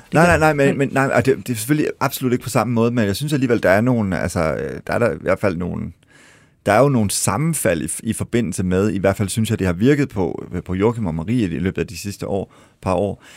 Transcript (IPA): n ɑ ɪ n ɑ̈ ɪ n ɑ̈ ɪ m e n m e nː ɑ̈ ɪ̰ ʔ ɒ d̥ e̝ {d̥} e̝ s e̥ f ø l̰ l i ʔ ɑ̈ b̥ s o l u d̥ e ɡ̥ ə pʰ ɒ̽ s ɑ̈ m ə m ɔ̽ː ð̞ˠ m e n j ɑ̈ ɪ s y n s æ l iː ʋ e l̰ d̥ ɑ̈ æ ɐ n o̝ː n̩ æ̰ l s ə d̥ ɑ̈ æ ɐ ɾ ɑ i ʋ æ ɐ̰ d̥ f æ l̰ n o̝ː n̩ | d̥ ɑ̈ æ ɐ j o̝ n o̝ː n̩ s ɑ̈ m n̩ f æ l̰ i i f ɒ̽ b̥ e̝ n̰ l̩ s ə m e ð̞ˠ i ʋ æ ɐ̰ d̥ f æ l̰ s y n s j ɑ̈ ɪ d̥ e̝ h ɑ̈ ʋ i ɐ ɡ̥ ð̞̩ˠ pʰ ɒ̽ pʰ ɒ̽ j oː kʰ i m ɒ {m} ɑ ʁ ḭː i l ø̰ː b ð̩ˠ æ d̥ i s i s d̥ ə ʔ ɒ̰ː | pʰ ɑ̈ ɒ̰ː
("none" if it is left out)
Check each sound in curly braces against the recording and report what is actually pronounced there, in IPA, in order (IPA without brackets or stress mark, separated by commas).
d̥, m